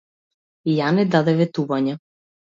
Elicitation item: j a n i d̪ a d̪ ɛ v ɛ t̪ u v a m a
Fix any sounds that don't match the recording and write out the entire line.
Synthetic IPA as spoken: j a n ɛ d̪ a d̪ ɛ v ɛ t̪ u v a ɲ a